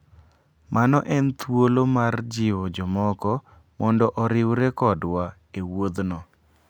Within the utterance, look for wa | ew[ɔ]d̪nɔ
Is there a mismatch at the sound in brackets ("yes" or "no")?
yes